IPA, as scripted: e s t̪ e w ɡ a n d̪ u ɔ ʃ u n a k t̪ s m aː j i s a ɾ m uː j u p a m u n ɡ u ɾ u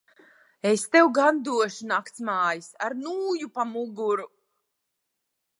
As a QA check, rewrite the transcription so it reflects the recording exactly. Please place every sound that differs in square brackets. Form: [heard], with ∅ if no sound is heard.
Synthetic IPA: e s t̪ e w ɡ a n d̪ u ɔ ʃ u n a k t̪ s m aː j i s a ɾ [n] uː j u p a m u [∅] ɡ u ɾ u